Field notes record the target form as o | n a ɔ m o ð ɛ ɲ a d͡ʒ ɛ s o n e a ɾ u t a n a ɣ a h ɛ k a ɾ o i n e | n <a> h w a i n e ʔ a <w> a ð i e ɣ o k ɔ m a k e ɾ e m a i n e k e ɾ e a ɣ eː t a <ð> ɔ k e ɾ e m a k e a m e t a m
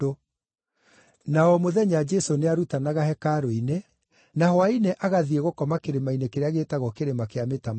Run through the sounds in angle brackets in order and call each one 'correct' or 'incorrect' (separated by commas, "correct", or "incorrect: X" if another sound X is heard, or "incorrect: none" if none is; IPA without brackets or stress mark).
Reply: correct, incorrect: ɣ, incorrect: ɣ